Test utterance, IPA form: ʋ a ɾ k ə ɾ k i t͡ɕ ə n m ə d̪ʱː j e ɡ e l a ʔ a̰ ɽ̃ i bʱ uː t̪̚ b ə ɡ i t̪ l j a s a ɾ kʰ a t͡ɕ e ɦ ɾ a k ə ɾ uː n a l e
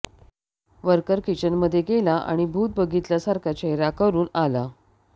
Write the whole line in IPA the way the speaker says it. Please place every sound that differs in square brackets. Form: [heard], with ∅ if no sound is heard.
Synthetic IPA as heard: ʋ [ə] ɾ k ə ɾ k i t͡ɕ ə n m ə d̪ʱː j e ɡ e l a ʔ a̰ ɽ̃ i bʱ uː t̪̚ b ə ɡ i t̪ l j a s a ɾ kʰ a t͡ɕ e ɦ ɾ a k ə ɾ uː n a l [a]